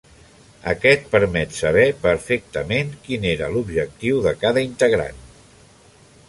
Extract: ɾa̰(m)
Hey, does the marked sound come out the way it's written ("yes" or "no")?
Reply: no